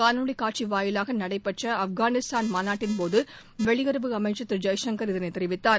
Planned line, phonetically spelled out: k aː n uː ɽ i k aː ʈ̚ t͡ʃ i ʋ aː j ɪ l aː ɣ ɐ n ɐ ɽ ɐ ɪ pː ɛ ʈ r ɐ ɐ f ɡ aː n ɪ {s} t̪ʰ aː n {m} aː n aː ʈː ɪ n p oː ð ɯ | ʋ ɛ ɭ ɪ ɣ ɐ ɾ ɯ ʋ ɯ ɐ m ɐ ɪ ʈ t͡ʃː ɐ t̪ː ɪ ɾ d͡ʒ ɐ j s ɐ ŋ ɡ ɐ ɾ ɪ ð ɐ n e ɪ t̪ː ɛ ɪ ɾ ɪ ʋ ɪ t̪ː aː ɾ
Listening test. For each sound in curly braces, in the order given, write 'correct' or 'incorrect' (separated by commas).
correct, correct